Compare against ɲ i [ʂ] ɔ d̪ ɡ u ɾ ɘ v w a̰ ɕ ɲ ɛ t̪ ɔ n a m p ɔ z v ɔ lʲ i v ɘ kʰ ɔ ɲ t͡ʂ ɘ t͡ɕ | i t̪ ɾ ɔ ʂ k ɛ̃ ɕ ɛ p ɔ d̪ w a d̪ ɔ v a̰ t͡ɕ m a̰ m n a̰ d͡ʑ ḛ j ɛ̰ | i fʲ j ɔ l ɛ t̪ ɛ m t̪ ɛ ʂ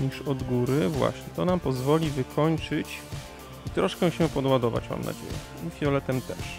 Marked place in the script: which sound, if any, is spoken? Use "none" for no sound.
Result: ʂ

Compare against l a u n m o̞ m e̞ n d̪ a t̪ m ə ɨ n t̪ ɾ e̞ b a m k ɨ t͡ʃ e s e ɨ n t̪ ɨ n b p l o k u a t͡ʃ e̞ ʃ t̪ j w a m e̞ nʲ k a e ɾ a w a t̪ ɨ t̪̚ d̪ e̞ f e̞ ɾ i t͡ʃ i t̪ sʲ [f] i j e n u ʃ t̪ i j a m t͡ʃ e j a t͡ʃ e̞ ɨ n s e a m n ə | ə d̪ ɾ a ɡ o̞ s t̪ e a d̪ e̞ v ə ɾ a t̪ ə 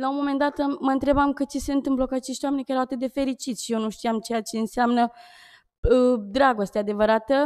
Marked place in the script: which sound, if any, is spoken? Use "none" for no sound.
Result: ʃ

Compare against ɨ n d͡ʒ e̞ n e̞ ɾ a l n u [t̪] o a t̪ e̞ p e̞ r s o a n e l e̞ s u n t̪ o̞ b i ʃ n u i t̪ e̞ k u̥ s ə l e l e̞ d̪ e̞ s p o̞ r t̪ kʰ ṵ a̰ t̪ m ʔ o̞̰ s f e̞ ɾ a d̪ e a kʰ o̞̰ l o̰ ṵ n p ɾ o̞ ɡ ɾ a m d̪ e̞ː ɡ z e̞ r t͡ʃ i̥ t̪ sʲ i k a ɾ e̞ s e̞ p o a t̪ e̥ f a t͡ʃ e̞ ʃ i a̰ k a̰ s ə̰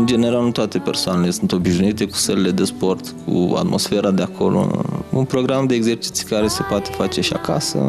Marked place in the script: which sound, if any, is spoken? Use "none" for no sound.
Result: t̪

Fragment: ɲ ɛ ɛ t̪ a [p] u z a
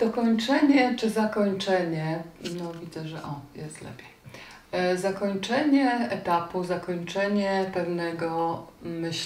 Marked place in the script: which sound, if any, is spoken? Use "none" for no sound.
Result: p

